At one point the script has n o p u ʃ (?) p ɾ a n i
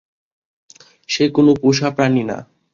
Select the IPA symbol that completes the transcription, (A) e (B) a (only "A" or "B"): B